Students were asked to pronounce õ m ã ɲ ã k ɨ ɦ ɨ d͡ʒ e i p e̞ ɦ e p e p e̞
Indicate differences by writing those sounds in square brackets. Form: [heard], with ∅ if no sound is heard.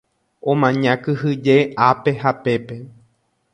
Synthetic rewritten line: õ m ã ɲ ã k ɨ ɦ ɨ d͡ʒ e [a] p e̞ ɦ [a] p e p e̞